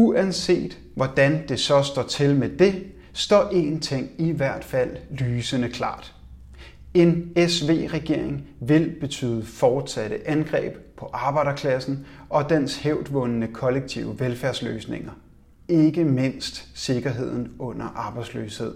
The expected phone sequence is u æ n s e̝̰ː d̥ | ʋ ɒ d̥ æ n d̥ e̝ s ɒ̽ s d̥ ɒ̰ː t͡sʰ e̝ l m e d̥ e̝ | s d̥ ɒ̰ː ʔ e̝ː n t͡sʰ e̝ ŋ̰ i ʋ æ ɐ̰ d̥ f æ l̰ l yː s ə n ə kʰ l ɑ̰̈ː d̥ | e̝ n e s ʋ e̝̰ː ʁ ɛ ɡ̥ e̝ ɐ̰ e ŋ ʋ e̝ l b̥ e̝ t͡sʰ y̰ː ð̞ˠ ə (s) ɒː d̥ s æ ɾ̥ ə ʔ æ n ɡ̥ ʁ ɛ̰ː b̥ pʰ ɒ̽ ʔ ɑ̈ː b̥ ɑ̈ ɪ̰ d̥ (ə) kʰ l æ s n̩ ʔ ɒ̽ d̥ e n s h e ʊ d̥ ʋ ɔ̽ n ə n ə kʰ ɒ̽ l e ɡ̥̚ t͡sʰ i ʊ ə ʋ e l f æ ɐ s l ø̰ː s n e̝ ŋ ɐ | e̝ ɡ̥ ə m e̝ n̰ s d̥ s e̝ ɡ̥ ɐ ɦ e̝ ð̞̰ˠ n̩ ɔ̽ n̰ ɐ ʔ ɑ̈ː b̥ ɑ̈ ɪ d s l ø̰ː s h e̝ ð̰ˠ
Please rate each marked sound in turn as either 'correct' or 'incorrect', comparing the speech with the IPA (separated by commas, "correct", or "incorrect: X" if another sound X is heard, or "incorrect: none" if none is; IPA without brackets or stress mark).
incorrect: f, incorrect: ɐ